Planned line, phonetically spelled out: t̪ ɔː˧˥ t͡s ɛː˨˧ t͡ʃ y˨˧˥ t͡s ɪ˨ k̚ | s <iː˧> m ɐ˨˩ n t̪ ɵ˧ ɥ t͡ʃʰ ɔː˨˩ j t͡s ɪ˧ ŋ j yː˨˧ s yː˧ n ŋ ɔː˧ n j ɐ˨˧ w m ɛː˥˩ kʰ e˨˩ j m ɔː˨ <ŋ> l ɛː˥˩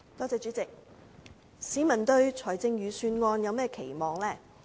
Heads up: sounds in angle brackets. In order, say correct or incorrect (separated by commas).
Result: incorrect, correct